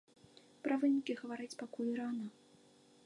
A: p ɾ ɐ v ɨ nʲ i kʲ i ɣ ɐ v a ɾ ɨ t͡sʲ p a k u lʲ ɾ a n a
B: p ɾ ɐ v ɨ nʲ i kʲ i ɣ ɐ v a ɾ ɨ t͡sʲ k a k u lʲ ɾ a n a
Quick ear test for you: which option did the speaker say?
A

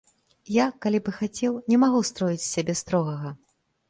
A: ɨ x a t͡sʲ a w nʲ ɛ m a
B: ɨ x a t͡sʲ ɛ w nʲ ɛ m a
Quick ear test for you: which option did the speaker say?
B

